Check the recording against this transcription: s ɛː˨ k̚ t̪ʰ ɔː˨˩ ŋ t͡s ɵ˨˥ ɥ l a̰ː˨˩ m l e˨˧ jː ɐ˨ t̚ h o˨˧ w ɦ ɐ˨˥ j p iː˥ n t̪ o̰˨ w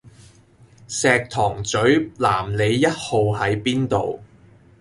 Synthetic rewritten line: s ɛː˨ k̚ t̪ʰ ɔː˨˩ ŋ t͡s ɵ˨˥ ɥ l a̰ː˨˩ m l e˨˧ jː ɐ˥ t̚ h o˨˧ w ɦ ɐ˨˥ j p iː˥ n t̪ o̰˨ w